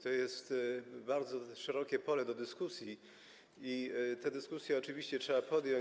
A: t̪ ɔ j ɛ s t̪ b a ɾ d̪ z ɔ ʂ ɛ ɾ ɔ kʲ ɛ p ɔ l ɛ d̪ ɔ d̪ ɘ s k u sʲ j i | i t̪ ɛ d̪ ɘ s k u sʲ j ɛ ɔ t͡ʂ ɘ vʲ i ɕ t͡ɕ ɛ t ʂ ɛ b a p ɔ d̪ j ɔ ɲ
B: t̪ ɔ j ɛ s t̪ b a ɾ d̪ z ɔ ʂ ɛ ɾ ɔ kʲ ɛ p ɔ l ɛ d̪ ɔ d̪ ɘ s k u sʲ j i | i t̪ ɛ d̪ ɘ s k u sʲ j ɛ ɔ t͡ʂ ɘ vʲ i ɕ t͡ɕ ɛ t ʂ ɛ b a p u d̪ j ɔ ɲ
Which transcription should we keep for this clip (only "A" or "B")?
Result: A